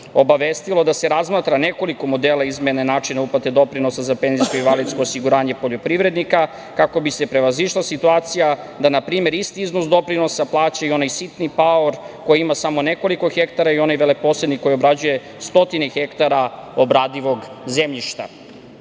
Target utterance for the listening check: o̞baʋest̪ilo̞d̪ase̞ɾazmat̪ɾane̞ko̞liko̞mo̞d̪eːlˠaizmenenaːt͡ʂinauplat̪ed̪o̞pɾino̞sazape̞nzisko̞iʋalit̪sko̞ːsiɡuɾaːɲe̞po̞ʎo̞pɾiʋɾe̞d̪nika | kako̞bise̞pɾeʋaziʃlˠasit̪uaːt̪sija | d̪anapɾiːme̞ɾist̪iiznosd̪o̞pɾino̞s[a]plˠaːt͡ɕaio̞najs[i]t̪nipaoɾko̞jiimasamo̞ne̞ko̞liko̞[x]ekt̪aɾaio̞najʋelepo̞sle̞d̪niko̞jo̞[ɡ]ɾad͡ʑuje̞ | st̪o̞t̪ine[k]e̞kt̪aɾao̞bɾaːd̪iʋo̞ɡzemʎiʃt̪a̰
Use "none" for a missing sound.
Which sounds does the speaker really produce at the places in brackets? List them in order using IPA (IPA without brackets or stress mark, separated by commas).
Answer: a, i, x, b, x